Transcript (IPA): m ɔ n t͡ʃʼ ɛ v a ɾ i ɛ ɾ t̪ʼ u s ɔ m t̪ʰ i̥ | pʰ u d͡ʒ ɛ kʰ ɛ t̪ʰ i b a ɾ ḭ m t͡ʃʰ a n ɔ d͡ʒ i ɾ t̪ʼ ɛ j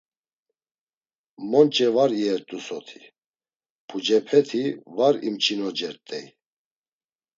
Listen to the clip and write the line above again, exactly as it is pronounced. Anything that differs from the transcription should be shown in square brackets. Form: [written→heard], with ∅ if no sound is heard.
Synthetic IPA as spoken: m ɔ n t͡ʃʼ ɛ v a ɾ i ɛ ɾ t̪ʼ u s ɔ [m→∅] t̪ʰ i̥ | pʰ u d͡ʒ ɛ [kʰ→pʰ] ɛ t̪ʰ i [b→v] a ɾ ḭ m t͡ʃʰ [a→i] n ɔ d͡ʒ [i→ɛ] ɾ t̪ʼ ɛ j